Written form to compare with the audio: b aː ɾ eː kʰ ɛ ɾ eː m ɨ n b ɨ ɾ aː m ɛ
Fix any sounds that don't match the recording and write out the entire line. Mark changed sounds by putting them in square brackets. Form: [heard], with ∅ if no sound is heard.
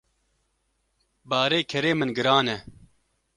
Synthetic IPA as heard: b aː ɾ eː kʰ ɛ ɾ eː m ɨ n [ɡ] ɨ ɾ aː [n] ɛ